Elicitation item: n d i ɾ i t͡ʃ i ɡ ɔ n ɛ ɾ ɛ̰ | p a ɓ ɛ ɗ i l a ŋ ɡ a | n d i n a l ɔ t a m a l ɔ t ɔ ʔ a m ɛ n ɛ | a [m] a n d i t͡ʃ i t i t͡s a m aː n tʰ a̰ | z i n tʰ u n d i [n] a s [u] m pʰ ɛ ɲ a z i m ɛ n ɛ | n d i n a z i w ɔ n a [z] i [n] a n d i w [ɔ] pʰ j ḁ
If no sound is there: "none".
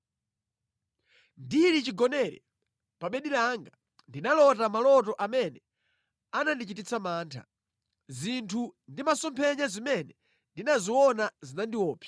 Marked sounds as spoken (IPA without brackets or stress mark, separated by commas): n, m, ɔ, z, n, ɔː